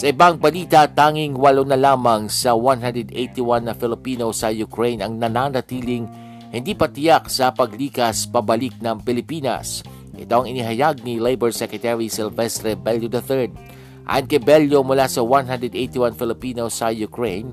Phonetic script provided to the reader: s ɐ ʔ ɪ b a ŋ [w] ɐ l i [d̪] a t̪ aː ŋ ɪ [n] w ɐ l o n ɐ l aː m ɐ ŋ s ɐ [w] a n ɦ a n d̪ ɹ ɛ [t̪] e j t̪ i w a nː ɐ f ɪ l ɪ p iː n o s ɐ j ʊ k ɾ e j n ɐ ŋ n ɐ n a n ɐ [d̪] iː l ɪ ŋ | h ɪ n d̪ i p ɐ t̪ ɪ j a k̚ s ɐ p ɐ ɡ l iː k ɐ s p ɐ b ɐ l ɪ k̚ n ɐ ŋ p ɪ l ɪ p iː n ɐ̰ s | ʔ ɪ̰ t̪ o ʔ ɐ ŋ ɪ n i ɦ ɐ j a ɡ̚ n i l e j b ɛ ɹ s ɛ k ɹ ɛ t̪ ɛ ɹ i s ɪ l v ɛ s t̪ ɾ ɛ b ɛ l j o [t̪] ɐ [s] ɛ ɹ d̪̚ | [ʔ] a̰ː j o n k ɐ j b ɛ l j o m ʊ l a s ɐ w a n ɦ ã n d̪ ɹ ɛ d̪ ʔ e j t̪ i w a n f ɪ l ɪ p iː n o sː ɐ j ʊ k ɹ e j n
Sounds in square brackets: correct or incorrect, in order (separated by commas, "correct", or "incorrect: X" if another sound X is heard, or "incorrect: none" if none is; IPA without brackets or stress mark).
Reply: incorrect: b, incorrect: t̪, incorrect: ŋ, correct, incorrect: d̪, incorrect: t̪, incorrect: d̪, incorrect: θ, correct